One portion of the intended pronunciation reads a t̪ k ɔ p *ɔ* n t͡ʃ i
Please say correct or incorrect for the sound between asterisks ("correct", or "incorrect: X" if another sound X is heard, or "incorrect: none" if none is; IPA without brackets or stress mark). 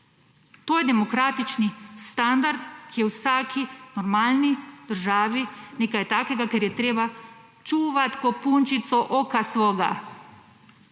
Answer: incorrect: u